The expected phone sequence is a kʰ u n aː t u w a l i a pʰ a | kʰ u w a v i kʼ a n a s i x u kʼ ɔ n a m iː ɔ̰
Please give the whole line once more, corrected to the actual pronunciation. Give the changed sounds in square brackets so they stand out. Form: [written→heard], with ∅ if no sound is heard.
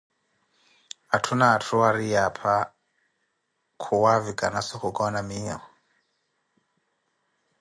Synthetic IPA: a [kʰ→tʰ] u n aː [t→tʰ] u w a [l→ɾ] i a pʰ a | kʰ u w a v i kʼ a n a s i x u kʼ ɔ n a m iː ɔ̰